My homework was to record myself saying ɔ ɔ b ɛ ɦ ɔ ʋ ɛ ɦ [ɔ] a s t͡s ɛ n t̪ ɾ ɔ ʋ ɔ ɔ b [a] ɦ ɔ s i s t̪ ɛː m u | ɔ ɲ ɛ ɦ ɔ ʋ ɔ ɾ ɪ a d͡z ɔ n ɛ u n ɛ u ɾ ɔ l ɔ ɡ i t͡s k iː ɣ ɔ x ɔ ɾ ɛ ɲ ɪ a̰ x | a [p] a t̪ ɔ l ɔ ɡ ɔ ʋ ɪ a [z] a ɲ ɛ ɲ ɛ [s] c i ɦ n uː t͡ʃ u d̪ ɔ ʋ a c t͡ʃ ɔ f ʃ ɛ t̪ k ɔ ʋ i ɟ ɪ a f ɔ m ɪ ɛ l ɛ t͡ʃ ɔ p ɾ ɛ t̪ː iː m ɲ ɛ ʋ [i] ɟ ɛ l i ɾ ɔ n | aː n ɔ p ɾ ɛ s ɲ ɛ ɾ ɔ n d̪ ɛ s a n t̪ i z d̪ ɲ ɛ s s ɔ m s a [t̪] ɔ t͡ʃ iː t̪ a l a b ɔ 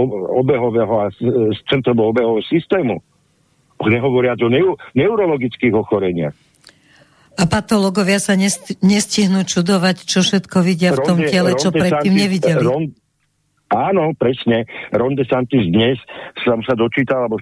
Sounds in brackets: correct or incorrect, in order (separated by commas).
correct, incorrect, correct, incorrect, correct, correct, incorrect